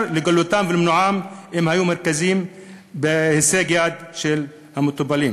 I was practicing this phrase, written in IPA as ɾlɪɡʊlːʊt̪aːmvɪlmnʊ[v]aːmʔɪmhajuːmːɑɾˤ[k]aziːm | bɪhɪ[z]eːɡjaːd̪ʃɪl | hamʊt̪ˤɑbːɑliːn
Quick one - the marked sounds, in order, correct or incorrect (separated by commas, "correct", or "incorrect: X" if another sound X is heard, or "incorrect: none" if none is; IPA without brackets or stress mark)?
incorrect: ʕ, correct, incorrect: s